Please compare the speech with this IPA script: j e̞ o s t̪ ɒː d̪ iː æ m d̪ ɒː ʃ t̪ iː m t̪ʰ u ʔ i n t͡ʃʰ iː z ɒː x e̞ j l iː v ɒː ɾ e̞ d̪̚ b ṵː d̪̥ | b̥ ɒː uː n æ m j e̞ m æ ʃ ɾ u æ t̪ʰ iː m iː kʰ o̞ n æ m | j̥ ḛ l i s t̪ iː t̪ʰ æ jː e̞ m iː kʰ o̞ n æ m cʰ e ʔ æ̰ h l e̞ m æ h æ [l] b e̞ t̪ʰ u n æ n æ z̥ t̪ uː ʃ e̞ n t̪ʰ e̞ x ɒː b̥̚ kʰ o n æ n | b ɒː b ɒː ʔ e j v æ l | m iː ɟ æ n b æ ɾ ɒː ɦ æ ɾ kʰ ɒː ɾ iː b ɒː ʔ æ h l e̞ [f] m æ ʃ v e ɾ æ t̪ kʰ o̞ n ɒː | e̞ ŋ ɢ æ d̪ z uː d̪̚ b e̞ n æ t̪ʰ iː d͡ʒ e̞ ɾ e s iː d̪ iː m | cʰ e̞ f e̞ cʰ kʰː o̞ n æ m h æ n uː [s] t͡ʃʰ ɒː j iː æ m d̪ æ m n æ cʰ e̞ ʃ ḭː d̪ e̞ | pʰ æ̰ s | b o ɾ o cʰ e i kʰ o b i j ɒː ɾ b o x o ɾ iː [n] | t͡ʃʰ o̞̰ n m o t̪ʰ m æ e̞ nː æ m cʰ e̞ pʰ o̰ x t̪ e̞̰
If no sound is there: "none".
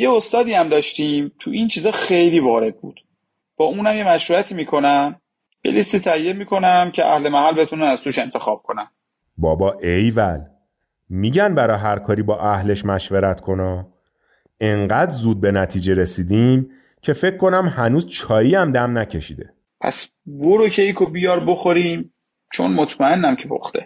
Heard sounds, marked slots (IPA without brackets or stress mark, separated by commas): l, ʃ, z, m